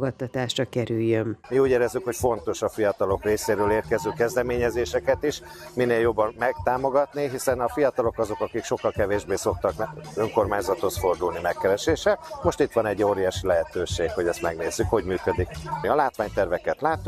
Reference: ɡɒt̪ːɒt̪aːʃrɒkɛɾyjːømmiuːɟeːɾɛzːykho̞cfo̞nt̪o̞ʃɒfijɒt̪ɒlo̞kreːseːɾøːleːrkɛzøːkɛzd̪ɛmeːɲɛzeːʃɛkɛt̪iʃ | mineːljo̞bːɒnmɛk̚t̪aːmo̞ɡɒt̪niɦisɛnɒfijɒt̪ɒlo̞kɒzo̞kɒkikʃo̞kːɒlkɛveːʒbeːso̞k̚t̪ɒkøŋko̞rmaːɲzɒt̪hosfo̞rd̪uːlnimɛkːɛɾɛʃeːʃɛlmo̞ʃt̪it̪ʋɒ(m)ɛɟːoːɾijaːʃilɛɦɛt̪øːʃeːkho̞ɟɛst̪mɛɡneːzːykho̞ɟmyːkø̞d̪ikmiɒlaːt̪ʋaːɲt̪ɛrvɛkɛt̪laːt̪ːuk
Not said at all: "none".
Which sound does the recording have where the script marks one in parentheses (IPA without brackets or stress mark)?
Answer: n